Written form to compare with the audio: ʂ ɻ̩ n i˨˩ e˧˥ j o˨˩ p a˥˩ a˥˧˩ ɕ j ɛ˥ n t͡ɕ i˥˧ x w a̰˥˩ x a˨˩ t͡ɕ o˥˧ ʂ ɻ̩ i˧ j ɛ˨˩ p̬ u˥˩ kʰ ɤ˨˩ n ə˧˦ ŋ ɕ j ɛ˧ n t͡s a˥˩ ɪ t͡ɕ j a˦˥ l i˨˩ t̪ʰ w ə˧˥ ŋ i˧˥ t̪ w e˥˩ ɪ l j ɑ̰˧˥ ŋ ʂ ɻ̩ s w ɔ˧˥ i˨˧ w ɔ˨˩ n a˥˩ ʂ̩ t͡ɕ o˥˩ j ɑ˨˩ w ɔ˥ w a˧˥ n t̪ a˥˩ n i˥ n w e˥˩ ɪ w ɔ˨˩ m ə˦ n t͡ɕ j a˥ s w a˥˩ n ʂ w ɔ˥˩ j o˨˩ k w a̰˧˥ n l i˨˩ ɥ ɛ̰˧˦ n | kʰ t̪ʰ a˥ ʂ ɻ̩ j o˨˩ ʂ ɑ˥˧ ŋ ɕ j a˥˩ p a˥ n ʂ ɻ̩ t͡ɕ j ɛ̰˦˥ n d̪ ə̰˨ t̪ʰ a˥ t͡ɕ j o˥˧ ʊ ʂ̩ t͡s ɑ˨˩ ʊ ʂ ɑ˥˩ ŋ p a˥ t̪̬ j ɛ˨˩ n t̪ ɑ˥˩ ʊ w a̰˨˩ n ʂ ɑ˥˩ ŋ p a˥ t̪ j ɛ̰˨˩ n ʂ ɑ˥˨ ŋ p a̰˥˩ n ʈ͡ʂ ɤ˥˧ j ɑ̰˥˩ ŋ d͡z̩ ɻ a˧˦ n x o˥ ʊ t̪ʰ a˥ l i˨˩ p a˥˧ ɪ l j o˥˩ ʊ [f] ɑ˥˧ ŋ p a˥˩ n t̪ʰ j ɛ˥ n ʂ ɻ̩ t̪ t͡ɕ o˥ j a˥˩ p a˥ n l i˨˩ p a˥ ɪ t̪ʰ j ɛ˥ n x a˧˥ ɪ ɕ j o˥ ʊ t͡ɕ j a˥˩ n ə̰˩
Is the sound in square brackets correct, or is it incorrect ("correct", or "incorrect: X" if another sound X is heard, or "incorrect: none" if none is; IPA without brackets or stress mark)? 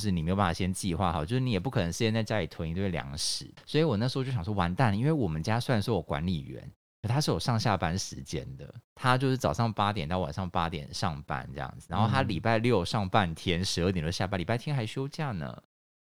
incorrect: ʂ